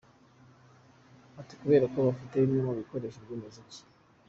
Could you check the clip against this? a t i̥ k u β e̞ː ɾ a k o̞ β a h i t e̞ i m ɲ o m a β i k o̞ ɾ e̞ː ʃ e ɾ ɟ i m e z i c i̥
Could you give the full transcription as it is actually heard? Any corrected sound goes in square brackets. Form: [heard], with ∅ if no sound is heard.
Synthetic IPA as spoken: a t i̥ k u β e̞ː ɾ a k o̞ β a [f] i t e̞ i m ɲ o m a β i k o̞ ɾ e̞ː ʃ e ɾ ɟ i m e z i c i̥